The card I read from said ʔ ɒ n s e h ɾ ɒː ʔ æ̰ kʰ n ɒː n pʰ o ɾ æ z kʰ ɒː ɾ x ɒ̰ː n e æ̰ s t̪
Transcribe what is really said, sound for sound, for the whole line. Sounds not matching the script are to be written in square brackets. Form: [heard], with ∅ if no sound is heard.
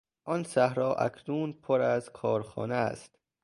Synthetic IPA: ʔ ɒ n s [æ] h ɾ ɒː ʔ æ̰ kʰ n [uː] n pʰ o ɾ æ z kʰ ɒː ɾ x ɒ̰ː n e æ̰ s t̪